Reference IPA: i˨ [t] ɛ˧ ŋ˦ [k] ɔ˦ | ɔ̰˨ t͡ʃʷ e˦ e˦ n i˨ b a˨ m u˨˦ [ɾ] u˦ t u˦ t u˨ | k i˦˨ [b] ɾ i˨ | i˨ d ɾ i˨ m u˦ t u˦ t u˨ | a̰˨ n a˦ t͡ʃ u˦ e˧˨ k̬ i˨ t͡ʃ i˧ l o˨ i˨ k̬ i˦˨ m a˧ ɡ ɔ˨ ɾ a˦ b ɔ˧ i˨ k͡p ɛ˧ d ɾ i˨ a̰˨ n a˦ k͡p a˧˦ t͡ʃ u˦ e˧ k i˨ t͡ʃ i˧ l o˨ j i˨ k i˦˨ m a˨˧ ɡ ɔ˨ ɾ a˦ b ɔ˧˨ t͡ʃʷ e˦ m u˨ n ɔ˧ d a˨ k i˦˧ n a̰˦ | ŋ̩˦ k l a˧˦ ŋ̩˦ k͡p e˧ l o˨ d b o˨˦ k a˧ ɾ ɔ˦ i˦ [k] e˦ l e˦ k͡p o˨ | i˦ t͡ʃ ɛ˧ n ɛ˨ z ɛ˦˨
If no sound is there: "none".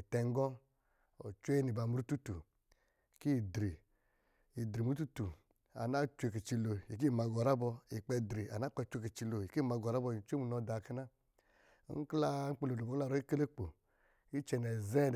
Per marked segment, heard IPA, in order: t, ɡ, ɾ, d, k

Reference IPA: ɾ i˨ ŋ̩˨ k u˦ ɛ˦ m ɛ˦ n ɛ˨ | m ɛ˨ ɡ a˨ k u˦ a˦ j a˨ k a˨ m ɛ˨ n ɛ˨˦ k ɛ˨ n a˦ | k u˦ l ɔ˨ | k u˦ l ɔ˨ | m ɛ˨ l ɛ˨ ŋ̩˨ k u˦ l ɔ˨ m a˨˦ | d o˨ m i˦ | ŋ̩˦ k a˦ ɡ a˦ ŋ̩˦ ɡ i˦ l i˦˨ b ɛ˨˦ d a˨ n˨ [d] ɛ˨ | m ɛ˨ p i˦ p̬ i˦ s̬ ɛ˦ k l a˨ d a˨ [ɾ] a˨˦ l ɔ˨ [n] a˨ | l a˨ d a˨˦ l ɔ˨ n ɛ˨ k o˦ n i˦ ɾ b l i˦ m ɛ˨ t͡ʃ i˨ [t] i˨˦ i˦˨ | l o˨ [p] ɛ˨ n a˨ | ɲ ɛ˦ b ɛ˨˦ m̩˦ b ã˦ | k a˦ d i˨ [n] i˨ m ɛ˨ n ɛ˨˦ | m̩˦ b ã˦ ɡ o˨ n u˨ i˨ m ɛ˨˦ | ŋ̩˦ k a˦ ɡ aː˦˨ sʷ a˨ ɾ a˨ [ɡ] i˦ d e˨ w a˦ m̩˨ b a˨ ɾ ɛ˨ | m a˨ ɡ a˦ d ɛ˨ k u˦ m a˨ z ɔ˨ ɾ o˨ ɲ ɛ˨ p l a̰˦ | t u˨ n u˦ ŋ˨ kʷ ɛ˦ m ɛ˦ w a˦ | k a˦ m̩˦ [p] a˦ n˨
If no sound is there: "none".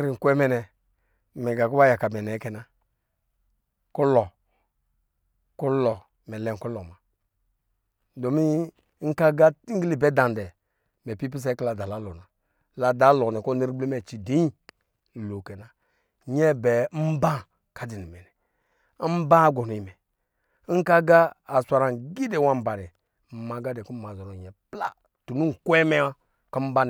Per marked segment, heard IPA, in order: d, l, n, d, k, n, ɡ, b

